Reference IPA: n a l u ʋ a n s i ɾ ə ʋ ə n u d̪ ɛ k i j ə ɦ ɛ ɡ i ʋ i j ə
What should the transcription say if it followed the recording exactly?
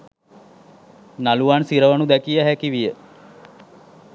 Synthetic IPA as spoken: n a l u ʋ a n s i ɾ ə ʋ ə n u d̪ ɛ k i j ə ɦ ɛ k i ʋ i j ə